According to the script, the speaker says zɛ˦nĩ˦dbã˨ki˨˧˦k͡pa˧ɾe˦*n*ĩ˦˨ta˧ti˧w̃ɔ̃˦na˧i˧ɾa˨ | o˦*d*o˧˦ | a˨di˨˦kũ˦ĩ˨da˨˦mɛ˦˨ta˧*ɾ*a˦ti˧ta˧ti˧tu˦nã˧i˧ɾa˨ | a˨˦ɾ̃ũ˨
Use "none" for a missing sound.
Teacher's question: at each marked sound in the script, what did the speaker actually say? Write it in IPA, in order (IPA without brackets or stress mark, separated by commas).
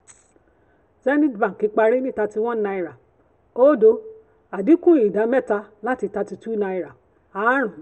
n, d, l